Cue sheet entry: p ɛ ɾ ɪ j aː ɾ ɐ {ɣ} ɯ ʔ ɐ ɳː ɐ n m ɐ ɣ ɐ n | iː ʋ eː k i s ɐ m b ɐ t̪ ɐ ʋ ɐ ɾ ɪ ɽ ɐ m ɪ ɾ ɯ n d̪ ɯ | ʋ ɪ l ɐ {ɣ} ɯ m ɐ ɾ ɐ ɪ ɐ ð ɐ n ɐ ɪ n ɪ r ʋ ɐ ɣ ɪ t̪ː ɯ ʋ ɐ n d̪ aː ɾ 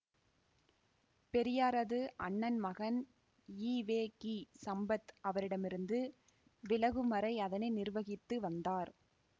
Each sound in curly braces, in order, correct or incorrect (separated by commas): incorrect, correct